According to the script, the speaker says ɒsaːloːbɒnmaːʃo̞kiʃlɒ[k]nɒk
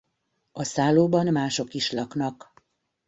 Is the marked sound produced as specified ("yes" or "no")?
yes